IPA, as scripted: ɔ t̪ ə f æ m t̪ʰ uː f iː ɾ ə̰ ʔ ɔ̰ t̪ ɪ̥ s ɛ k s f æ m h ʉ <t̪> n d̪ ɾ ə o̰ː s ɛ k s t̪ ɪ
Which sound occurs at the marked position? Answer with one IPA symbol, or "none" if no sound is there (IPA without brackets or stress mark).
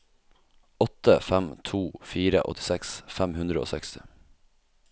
none